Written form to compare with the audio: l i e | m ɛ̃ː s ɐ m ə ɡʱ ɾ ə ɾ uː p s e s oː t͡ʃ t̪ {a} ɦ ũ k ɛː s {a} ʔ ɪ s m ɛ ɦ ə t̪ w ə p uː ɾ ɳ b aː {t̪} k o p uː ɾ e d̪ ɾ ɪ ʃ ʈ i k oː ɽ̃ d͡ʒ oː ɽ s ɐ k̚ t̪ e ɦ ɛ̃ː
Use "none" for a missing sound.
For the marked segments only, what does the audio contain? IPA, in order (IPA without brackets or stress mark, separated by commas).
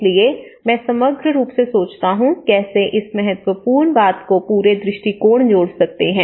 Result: a, e, t̪